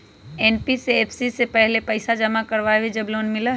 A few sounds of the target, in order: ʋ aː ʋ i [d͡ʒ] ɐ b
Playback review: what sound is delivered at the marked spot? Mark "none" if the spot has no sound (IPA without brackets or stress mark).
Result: d͡ʒ